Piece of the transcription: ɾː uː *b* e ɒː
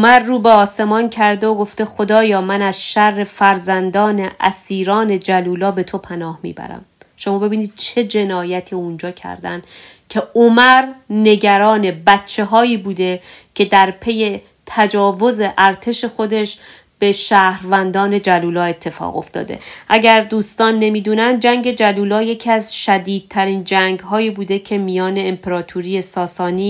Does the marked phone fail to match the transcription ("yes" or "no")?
no